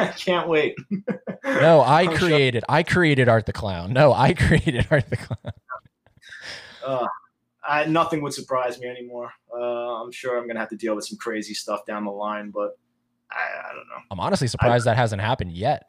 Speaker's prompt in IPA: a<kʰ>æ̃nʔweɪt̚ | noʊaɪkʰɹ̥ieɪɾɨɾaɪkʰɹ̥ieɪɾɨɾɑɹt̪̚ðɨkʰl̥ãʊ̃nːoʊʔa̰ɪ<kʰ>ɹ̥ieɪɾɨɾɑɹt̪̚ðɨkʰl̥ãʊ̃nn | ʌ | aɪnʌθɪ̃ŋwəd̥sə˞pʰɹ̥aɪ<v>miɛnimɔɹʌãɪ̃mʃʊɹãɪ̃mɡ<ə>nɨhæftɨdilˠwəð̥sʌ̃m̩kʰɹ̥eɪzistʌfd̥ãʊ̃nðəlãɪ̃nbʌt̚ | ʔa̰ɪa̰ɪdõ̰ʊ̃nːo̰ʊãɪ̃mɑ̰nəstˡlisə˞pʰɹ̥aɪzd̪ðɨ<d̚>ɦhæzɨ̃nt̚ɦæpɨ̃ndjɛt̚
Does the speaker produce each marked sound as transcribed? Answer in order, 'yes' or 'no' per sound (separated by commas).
yes, yes, no, no, no